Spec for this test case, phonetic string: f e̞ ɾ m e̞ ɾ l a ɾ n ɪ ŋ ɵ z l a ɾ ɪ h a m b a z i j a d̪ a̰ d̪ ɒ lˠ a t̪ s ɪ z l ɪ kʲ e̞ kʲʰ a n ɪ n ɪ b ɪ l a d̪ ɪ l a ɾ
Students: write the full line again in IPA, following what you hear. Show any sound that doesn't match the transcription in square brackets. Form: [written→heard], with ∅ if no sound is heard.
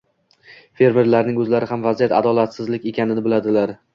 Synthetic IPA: f e̞ ɾ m e̞ ɾ l a ɾ n ɪ ŋ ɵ z l a ɾ ɪ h a m [b→v] a z i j a [d̪→t̪] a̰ d̪ ɒ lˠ a t̪ s ɪ z l ɪ kʲ e̞ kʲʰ a n ɪ n ɪ b ɪ l a d̪ ɪ l a ɾ